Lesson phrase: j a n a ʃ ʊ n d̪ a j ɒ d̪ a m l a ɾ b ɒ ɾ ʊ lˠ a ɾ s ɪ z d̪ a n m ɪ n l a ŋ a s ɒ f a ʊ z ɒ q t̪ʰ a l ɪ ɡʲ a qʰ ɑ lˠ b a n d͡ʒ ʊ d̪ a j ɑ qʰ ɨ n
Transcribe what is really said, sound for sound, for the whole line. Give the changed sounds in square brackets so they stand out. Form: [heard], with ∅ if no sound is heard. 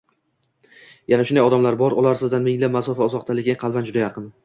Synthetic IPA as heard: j a n a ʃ ʊ n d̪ a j ɒ d̪ a m l a ɾ b ɒ ɾ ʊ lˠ a ɾ s ɪ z d̪ a n m ɪ [ŋ] l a [m] a s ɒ f a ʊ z ɒ q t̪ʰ a l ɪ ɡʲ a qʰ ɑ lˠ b a n d͡ʒ ʊ d̪ a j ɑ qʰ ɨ n